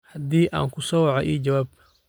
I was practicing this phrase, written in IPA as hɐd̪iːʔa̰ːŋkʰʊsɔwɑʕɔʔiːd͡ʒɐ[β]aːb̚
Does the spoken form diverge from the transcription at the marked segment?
yes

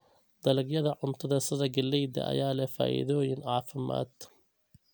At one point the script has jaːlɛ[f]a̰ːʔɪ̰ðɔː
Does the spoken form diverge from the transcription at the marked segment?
no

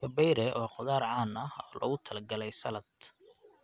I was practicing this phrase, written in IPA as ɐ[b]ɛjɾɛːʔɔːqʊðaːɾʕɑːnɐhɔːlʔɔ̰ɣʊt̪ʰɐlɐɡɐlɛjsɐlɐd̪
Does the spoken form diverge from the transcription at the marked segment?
no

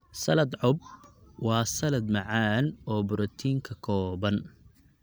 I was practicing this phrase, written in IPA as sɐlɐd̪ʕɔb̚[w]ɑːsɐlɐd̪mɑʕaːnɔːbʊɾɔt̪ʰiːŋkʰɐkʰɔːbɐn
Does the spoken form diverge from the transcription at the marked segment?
no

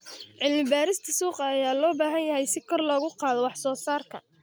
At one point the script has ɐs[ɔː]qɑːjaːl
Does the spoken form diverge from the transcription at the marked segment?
yes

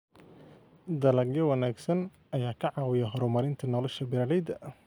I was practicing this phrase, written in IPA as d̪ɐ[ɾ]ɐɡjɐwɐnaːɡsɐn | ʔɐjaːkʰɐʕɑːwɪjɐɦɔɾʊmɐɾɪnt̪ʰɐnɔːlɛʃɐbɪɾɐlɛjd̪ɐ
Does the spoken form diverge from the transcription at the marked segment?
yes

